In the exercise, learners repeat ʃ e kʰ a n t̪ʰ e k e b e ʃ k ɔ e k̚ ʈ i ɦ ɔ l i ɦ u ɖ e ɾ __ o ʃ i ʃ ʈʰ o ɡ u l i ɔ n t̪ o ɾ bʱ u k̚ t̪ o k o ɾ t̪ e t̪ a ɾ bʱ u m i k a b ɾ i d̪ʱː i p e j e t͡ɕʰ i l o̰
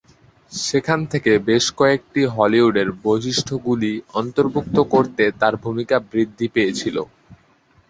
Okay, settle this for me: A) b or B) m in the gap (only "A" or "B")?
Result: A